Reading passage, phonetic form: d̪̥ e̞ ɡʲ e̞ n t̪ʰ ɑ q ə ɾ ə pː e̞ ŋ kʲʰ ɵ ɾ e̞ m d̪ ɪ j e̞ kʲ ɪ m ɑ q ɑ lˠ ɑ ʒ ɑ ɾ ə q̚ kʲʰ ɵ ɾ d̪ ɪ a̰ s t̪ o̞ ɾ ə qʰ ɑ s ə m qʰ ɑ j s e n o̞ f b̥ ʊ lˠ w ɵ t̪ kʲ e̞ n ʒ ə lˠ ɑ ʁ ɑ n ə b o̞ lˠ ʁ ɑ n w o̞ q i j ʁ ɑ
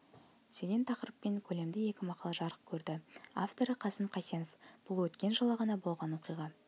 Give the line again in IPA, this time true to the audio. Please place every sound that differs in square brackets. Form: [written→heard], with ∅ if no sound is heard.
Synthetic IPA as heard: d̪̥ e̞ ɡʲ e̞ n t̪ʰ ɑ q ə ɾ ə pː e̞ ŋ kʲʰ ɵ [ɾ→l] e̞ m d̪ ɪ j e̞ kʲ ɪ m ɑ q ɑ lˠ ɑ ʒ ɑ ɾ ə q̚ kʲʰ ɵ ɾ d̪ ɪ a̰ [s→f] t̪ o̞ ɾ ə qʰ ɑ s ə m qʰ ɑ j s e n o̞ f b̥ ʊ lˠ w ɵ t̪ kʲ e̞ n ʒ ə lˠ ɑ ʁ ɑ n [ə→ɑ] b o̞ lˠ ʁ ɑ n w o̞ q i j ʁ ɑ